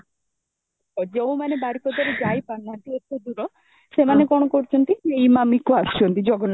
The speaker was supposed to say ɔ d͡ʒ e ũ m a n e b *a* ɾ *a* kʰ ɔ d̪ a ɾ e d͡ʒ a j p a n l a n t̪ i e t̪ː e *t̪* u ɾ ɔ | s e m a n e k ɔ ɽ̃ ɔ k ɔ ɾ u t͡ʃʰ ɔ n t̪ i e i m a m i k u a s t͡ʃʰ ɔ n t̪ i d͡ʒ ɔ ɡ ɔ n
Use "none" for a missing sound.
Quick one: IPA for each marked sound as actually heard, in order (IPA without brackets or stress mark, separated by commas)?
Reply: a, i, d̪